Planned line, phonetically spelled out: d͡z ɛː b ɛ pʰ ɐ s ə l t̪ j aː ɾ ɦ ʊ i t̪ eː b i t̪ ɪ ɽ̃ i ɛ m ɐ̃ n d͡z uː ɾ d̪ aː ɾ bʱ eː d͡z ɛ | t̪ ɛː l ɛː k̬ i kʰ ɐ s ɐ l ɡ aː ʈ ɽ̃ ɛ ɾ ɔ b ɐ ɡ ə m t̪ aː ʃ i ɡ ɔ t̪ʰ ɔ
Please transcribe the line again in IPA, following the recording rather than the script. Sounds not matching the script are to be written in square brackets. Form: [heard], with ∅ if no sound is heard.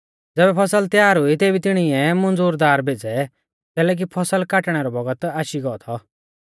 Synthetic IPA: d͡z ɛː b ɛ pʰ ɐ s ə l t̪ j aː ɾ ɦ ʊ i t̪ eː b i t̪ ɪ ɽ̃ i ɛ m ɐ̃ n d͡z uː ɾ d̪ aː ɾ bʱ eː d͡z ɛ | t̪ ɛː l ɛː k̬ i [pʰ] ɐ s [ə] l [k] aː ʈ ɽ̃ ɛ ɾ ɔ b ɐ ɡ ə [∅] t̪ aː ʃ i ɡ ɔ t̪ʰ ɔ

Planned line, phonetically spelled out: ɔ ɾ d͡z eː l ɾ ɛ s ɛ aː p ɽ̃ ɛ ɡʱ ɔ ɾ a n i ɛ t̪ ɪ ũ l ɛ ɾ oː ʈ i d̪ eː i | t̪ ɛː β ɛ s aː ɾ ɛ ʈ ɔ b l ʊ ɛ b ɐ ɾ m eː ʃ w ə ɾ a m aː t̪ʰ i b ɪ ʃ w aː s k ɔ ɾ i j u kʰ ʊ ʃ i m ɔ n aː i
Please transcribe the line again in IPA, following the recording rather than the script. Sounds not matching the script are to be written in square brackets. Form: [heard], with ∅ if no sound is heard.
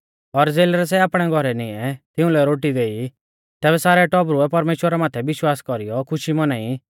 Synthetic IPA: ɔ ɾ d͡z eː l ɾ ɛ s ɛ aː p ɽ̃ ɛ ɡʱ ɔ ɾ [ɛ] n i ɛ t̪ ɪ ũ l ɛ ɾ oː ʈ i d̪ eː i | t̪ ɛː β ɛ s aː ɾ ɛ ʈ ɔ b [ɾ] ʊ ɛ [p] ɐ ɾ m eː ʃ w ə ɾ a m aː t̪ʰ [ɛ] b ɪ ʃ w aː s k ɔ ɾ i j [ɔ] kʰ ʊ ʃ i m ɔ n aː i

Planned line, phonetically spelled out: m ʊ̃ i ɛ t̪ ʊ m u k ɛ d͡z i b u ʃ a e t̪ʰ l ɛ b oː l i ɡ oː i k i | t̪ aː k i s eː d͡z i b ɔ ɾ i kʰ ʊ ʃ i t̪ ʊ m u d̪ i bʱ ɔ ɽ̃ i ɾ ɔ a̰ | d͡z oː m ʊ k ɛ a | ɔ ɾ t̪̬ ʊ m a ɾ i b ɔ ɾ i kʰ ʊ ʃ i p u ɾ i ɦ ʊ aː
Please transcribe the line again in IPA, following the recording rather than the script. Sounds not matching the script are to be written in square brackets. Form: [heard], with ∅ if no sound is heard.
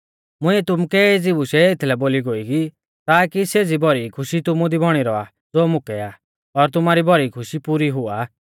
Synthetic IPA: m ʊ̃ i ɛ t̪ ʊ m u k ɛ d͡z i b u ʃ [ɛ] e t̪ʰ l ɛ b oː l i ɡ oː i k i | t̪ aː k i s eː d͡z i b ɔ ɾ i kʰ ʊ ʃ i t̪ ʊ m u d̪ i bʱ ɔ ɽ̃ i ɾ ɔ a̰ | d͡z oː m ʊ k ɛ a | ɔ ɾ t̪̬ ʊ m a ɾ i b ɔ ɾ i kʰ ʊ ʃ i p u ɾ i ɦ ʊ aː

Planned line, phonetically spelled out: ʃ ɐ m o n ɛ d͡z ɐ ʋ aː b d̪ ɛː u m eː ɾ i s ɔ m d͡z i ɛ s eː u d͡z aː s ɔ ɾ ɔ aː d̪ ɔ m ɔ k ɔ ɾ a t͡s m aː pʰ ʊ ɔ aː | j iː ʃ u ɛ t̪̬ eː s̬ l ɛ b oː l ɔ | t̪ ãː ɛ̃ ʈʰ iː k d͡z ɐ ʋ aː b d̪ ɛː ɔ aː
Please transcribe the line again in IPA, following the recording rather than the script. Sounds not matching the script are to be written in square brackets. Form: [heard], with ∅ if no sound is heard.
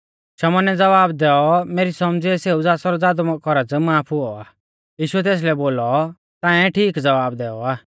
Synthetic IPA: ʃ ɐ m [ɔ] n ɛ d͡z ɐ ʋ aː b d̪ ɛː [ɔ] m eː ɾ i s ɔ m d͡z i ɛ s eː u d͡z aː s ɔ ɾ ɔ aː d̪ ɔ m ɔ k ɔ ɾ a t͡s m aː pʰ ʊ ɔ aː | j iː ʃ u ɛ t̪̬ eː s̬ l ɛ b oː l ɔ | t̪ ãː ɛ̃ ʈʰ iː k d͡z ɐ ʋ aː b d̪ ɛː ɔ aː

